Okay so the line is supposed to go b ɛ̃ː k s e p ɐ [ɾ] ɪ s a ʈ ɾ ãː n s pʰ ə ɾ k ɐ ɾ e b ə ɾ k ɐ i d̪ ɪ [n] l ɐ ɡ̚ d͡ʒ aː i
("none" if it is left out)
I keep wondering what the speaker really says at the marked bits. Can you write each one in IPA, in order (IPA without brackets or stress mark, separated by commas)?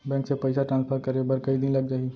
none, n